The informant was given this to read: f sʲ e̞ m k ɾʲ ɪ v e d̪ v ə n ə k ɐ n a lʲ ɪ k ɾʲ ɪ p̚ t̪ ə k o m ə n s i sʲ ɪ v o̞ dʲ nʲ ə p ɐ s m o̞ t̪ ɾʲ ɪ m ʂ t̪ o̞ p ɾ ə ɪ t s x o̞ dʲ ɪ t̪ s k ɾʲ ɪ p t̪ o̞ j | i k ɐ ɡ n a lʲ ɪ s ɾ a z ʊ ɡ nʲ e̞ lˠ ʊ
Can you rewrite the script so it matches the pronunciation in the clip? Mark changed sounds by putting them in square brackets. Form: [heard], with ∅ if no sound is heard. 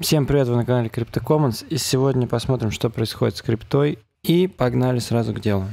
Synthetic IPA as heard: f sʲ e̞ m [p] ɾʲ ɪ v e [t̪] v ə n ə k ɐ n a lʲ ɪ k ɾʲ ɪ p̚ t̪ ə k o m ə n s i sʲ ɪ v o̞ dʲ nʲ ə p ɐ s m o̞ t̪ ɾʲ ɪ m ʂ t̪ o̞ p ɾ ə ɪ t s x o̞ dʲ ɪ t̪ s k ɾʲ ɪ p t̪ o̞ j | i [p] ɐ ɡ n a lʲ ɪ s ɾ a z ʊ ɡ [dʲ] e̞ lˠ ʊ

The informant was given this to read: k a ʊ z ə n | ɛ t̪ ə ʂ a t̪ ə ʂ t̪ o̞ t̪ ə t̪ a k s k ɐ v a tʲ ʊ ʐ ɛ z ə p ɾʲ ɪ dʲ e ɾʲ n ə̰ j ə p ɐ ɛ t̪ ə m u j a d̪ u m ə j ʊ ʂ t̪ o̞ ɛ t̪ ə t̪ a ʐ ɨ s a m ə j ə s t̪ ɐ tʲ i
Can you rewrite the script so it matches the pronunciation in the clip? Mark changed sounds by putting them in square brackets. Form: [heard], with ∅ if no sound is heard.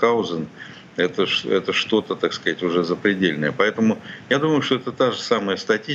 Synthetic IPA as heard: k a ʊ z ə n | ɛ t̪ ə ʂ [ɛ] t̪ ə ʂ t̪ o̞ t̪ ə t̪ a k s k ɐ [z] a tʲ ʊ ʐ ɛ z ə p ɾʲ ɪ dʲ e [lʲ] n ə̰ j ə p ɐ ɛ t̪ ə m [ʊ] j a d̪ u m ə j ʊ ʂ t̪ o̞ ɛ t̪ ə t̪ a ʐ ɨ s a m ə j ə s t̪ ɐ tʲ i

